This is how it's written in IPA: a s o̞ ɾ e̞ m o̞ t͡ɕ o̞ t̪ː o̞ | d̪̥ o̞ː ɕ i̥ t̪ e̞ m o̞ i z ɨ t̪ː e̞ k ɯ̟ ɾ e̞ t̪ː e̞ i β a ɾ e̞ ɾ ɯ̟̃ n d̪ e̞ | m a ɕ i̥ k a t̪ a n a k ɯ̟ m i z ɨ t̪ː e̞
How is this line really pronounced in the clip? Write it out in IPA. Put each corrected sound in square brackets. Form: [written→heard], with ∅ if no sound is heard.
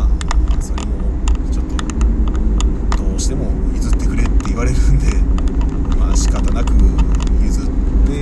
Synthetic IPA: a s o̞ ɾ e̞ m o̞ t͡ɕ o̞ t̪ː o̞ | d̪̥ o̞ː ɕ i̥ t̪ e̞ m o̞ i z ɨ t̪ː e̞ k ɯ̟ ɾ e̞ t̪ː e̞ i β a ɾ e̞ ɾ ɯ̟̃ n d̪ e̞ | m a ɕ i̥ k a t̪ a n a k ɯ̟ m i z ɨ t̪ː e̞